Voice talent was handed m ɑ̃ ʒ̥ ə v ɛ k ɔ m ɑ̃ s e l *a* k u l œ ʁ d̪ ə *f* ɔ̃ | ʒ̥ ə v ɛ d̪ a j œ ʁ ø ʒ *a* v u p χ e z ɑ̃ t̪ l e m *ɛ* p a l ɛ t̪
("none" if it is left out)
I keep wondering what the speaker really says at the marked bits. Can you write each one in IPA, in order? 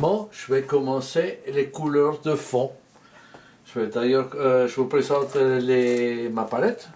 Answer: e, f, ə, a

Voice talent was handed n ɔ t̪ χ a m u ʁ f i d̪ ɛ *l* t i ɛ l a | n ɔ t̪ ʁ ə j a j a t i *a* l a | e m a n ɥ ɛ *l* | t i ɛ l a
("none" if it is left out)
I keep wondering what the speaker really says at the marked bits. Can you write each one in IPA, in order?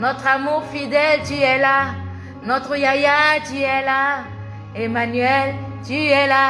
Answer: l, ɛ, l

